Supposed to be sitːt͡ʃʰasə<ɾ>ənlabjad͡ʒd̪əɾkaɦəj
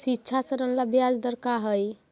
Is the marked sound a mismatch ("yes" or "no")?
no